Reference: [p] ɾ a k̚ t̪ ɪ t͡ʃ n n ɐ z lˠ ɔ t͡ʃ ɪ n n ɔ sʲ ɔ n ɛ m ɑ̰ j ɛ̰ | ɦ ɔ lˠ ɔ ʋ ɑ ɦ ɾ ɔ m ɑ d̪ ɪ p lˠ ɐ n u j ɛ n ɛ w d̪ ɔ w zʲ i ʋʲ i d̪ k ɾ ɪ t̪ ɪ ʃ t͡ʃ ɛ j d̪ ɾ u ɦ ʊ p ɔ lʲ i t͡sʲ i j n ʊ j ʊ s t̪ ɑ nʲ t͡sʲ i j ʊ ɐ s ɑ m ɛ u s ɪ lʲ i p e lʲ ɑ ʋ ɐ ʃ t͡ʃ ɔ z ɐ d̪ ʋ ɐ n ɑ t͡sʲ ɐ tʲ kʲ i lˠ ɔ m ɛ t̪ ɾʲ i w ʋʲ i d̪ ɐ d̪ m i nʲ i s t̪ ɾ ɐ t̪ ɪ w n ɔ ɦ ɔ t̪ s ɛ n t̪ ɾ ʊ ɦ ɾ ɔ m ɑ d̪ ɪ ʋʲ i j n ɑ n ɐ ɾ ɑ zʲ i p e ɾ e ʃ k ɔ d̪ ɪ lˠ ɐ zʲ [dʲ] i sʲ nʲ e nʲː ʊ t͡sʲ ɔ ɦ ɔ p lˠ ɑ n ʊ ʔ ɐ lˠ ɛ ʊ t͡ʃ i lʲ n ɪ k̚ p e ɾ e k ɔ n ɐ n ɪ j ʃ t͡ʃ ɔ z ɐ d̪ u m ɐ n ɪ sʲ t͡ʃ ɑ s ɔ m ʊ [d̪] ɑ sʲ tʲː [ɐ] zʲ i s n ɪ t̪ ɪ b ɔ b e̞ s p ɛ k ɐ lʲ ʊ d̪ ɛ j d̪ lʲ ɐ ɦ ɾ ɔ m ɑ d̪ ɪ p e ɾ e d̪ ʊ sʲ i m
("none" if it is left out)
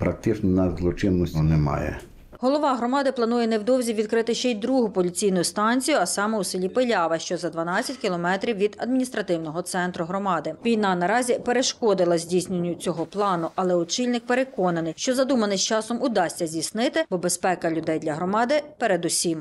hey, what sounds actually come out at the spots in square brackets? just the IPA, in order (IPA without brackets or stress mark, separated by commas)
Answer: p, dʲ, d̪, ɐ